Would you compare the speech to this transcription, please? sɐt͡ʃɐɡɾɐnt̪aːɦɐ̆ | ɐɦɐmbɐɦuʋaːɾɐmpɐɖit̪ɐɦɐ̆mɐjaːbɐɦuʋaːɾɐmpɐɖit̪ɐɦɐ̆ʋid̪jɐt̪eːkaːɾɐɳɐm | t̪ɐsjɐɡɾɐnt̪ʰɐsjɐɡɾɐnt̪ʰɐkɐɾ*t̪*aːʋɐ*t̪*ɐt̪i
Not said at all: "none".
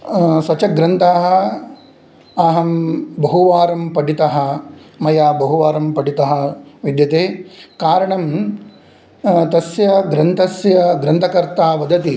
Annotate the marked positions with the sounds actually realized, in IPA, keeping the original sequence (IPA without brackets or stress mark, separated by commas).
t̪, d̪